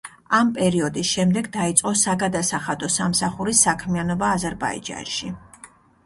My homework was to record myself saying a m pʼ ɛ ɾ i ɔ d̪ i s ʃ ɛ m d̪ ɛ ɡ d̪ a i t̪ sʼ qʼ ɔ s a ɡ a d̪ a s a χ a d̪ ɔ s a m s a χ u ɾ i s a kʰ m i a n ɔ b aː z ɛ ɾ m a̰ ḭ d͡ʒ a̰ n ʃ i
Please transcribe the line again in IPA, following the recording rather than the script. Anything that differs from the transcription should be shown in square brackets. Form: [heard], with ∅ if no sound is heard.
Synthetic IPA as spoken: a m pʼ ɛ ɾ i ɔ d̪ i s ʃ ɛ m d̪ ɛ ɡ d̪ a i t̪ sʼ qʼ ɔ s a ɡ a d̪ a s a χ a d̪ ɔ s a m s a χ u ɾ i s a kʰ m i a n ɔ b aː z ɛ ɾ [b] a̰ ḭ d͡ʒ a̰ n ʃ i

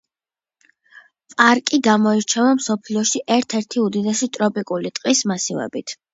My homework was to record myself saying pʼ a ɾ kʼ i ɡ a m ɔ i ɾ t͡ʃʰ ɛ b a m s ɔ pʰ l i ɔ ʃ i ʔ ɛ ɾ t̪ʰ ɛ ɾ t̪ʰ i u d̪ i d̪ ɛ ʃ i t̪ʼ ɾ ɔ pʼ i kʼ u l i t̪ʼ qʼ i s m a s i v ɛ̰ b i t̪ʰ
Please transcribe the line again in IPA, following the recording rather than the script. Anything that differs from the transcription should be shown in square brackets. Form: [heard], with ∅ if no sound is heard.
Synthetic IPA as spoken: pʼ a ɾ kʼ i ɡ a m ɔ i ɾ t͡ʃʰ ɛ [v] a m s ɔ pʰ l i ɔ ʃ i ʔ ɛ ɾ t̪ʰ ɛ ɾ t̪ʰ i u d̪ i d̪ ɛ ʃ i t̪ʼ ɾ ɔ pʼ i kʼ u l i t̪ʼ qʼ i s m a s i v ɛ̰ b i t̪ʰ

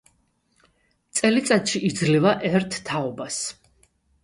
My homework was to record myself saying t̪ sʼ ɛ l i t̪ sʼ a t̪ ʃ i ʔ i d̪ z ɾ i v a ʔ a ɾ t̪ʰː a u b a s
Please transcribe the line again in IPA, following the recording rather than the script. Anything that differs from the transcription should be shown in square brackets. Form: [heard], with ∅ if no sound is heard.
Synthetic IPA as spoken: t̪ sʼ ɛ l i t̪ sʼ a t̪ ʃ i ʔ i d̪ z [l] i v a ʔ [ɛ] ɾ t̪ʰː a [ɔ] b a s

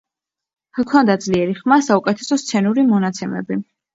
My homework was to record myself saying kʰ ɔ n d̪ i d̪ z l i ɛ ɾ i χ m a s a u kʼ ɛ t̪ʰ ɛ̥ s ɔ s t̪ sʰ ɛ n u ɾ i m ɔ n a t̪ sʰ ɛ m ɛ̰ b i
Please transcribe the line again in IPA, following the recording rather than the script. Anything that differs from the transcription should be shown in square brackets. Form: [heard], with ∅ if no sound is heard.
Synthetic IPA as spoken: kʰ ɔ n d̪ [a] d̪ z l i ɛ ɾ i χ m a s a u kʼ ɛ t̪ʰ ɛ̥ s ɔ s t̪ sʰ ɛ n u ɾ i m ɔ n a t̪ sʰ ɛ m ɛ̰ b i

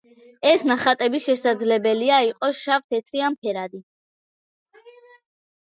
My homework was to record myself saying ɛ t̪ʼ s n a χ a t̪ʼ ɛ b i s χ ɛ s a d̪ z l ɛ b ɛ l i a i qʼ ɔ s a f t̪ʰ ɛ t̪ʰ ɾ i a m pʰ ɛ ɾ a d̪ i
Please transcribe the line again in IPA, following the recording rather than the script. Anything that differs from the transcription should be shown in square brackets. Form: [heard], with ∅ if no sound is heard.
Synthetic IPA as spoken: ɛ [∅] s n a χ a t̪ʼ ɛ b i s [ʃ] ɛ s a d̪ z l ɛ b ɛ l i a i qʼ ɔ [ʃ] a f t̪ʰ ɛ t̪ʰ ɾ i a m pʰ ɛ ɾ a d̪ i

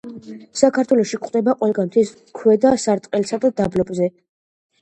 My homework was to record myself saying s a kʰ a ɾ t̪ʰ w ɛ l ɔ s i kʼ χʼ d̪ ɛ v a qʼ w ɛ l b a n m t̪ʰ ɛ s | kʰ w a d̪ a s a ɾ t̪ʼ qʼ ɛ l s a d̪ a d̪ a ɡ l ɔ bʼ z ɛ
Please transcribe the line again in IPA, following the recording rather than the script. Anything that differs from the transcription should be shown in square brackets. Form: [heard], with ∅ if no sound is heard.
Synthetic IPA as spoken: s a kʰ a ɾ t̪ʰ w ɛ l ɔ [ʃ] i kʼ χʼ d̪ ɛ [b] a qʼ w ɛ l [ɡ] a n m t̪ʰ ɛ s | kʰ w [ɛ] d̪ a s a ɾ t̪ʼ qʼ ɛ l s a d̪ a d̪ a [b] l ɔ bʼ z ɛ

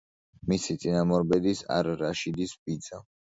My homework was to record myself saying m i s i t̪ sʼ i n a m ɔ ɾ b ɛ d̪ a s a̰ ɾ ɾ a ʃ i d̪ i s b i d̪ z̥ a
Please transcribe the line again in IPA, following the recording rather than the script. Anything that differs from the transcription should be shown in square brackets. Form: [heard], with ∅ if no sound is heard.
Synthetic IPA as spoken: m i s i t̪ sʼ i n a m ɔ ɾ b ɛ d̪ [i] s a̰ ɾ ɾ a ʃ i d̪ i s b i d̪ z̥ a

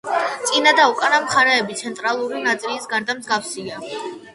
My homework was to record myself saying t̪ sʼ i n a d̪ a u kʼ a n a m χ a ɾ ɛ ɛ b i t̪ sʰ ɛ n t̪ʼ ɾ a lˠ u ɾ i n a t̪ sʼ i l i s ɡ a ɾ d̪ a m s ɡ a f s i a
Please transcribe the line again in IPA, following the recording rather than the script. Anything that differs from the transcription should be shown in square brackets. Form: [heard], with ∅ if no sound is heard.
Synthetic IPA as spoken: t̪ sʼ i n a d̪ a u kʼ a n a m χ a ɾ ɛ ɛ b i t̪ sʰ ɛ n t̪ʼ ɾ a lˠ u ɾ i n a t̪ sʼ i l i s ɡ a ɾ d̪ a m [z] ɡ a f s i a

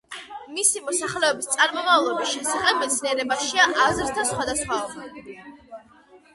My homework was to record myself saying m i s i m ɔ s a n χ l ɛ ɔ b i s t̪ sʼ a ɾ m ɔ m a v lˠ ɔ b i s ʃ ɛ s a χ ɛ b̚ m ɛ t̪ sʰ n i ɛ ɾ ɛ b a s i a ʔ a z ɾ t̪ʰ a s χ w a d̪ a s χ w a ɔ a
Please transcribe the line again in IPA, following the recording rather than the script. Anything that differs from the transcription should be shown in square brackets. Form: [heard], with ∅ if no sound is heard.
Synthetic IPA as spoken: m i s i m ɔ s a [∅] χ l ɛ ɔ b i s t̪ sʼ a ɾ m ɔ m a v lˠ ɔ b i s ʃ ɛ s a χ ɛ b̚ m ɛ t̪ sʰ n i ɛ ɾ ɛ b a [ʃ] i a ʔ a z ɾ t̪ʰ a s χ w a d̪ a s χ w a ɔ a

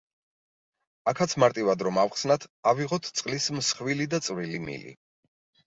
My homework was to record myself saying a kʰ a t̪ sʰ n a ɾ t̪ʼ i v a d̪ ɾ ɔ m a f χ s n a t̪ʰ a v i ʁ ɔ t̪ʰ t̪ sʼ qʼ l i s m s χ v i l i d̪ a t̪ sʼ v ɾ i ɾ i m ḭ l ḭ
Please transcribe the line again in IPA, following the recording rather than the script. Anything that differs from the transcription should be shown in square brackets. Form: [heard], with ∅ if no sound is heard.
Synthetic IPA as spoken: a kʰ a t̪ sʰ [m] a ɾ t̪ʼ i v a d̪ ɾ ɔ m a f χ s n a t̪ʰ a v i ʁ ɔ t̪ʰ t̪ sʼ qʼ l i s m s χ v i l i d̪ a t̪ sʼ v ɾ i [l] i m ḭ l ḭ

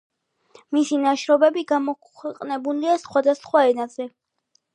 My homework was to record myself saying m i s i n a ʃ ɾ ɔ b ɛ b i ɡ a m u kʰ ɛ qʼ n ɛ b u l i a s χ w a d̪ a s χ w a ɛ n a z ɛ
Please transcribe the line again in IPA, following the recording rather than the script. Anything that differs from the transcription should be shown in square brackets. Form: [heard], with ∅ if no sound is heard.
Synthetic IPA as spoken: m i s i n a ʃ ɾ ɔ b ɛ b i ɡ a m [ɔ] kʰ ɛ qʼ n ɛ b u l i a s χ w a d̪ a s χ w a ɛ n a z ɛ

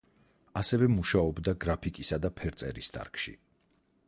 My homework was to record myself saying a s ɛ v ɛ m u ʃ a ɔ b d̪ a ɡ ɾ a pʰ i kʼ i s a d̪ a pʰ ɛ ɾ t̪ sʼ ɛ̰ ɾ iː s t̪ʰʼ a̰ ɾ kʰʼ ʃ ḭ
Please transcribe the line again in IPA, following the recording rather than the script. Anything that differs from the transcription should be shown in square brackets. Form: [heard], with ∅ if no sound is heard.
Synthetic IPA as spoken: a s ɛ v ɛ m u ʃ a ɔ b d̪ a ɡ ɾ a pʰ i kʼ i s a d̪ a pʰ ɛ ɾ t̪ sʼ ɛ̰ ɾ [i] s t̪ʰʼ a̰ ɾ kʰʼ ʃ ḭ

